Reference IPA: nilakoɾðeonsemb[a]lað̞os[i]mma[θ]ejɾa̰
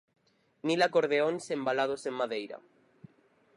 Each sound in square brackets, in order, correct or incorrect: correct, incorrect: e, incorrect: ð

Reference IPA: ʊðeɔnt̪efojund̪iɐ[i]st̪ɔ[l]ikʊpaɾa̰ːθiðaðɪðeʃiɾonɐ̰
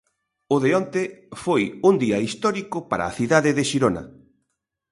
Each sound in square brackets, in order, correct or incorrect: correct, incorrect: ɾ

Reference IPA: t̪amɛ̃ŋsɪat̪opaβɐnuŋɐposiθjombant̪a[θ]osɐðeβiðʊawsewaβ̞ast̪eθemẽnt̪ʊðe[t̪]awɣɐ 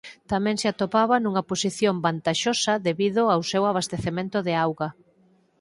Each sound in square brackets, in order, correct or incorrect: incorrect: ʃ, incorrect: none

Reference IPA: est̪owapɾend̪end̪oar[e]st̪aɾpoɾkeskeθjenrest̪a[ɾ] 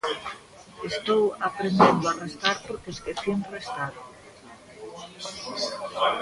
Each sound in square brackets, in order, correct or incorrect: correct, correct

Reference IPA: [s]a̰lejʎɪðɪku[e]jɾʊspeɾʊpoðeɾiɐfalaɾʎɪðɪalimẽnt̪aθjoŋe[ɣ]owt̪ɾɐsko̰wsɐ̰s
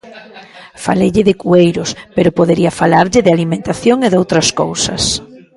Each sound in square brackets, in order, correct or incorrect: incorrect: f, correct, incorrect: ð

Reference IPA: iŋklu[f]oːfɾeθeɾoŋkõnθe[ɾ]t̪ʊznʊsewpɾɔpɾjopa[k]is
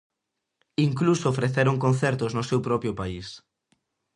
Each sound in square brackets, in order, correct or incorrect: incorrect: s, correct, incorrect: none

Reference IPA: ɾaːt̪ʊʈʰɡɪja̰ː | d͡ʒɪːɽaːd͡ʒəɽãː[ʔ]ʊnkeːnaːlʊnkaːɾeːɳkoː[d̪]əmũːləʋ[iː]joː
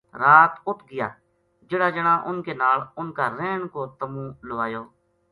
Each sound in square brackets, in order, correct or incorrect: correct, incorrect: t̪, incorrect: aː

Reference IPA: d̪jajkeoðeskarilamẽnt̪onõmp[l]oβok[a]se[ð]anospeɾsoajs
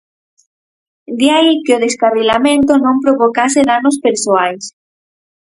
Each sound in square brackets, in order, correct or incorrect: incorrect: ɾ, correct, correct

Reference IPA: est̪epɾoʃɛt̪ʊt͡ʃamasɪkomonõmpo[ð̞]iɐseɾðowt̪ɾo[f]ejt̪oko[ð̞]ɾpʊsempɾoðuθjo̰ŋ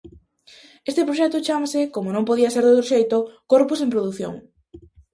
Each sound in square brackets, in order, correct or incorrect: correct, incorrect: ʃ, incorrect: none

